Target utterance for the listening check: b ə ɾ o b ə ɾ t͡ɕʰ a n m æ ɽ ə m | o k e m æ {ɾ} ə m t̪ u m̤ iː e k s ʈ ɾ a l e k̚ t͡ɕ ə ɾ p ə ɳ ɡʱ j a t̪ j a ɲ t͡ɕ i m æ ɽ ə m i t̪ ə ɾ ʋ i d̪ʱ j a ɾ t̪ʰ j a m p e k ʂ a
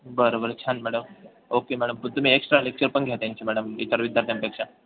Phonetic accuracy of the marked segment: incorrect: ɽ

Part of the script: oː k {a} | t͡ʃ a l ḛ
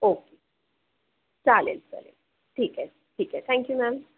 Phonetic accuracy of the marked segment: incorrect: e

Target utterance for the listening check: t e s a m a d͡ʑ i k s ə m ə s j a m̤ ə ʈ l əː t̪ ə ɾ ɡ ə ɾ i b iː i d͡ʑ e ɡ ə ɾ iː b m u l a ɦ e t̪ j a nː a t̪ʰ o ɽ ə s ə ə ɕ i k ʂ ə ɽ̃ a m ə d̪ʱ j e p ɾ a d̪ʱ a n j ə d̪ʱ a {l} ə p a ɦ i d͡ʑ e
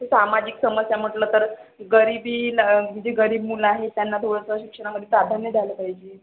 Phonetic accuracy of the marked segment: correct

